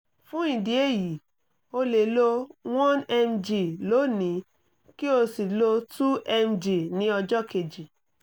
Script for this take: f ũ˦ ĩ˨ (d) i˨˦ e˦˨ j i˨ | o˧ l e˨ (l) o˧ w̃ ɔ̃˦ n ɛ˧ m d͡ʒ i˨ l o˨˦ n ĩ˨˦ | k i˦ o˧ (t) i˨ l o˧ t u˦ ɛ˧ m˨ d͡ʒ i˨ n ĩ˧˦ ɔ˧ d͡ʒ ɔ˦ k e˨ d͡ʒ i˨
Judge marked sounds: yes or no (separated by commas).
yes, yes, no